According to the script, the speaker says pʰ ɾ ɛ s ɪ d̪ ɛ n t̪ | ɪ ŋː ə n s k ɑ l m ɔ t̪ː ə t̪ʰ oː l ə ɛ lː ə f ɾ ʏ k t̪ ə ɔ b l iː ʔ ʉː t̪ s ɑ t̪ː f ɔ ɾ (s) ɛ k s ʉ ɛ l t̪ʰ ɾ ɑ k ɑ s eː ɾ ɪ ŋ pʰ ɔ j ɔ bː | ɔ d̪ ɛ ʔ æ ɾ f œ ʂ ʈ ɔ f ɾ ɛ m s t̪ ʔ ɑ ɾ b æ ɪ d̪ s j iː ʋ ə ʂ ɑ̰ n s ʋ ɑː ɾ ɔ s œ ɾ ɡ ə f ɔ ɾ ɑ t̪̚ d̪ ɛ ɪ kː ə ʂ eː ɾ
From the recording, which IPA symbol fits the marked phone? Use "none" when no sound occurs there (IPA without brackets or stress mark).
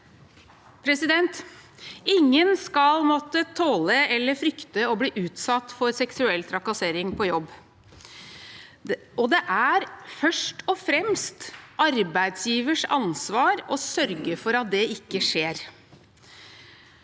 s